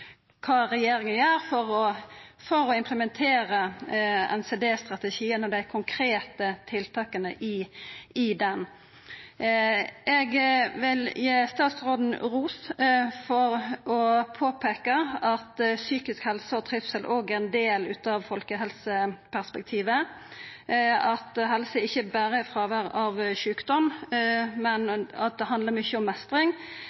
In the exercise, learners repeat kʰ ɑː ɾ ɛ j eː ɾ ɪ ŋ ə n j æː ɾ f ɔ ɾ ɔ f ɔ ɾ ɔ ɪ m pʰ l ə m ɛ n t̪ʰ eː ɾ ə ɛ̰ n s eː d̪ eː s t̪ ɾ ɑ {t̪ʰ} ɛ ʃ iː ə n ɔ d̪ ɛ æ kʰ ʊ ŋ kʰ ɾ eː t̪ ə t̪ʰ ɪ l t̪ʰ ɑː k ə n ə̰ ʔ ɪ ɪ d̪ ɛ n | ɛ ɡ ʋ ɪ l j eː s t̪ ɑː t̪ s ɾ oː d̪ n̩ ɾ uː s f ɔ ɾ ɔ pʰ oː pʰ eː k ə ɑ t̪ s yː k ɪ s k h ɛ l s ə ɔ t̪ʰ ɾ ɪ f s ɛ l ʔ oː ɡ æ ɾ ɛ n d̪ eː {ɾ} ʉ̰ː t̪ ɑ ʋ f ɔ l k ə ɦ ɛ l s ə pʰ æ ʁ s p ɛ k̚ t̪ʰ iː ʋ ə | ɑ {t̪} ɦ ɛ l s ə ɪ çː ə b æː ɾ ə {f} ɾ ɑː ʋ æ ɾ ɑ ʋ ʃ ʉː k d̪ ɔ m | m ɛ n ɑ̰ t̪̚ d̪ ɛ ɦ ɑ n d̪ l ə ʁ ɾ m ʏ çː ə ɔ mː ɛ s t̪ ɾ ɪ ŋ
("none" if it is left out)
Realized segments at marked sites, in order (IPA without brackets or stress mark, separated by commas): t̪, l, t̪, f